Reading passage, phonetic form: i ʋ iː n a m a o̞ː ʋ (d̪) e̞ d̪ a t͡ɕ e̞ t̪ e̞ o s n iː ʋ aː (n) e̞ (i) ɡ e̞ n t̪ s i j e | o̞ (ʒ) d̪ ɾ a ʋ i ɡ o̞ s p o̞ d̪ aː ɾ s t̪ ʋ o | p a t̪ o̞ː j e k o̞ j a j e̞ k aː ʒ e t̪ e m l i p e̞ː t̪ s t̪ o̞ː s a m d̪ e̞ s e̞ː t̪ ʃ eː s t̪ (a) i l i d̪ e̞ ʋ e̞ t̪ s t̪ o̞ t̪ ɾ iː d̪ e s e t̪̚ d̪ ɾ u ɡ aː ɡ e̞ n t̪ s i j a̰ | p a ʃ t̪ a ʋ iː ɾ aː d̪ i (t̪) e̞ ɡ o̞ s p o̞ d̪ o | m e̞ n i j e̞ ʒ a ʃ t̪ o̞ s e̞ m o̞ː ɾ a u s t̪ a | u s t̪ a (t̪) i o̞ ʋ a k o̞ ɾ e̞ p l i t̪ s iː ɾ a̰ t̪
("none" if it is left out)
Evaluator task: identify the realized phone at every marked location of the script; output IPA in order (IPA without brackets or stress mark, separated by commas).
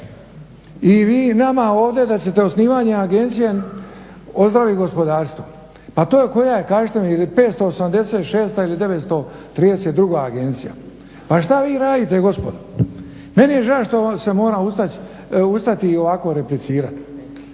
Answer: d̪, ɲ, a, z, a, t̪, t̪